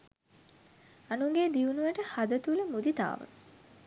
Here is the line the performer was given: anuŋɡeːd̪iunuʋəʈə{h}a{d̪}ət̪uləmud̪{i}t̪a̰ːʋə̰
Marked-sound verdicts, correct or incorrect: correct, correct, correct

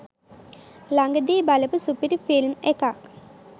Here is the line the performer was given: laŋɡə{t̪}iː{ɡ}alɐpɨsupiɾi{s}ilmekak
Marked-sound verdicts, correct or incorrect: incorrect: d̪, incorrect: b, incorrect: f

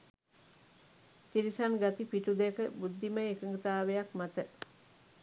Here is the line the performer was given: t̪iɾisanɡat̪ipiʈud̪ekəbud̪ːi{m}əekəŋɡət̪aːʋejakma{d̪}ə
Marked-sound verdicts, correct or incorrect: correct, incorrect: t̪

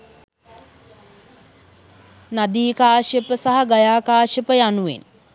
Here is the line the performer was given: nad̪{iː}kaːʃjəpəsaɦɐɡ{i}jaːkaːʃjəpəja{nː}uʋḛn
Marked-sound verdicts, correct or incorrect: correct, incorrect: a, incorrect: n

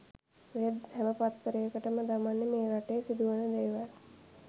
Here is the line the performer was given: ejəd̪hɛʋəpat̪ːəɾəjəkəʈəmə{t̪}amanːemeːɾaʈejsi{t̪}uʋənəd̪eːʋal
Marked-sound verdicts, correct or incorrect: incorrect: d̪, incorrect: d̪

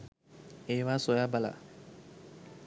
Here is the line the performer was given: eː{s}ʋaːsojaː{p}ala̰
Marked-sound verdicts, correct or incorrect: incorrect: none, incorrect: b

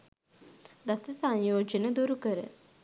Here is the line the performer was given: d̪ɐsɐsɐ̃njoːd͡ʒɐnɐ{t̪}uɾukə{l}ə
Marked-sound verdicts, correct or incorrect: incorrect: d̪, incorrect: ɾ

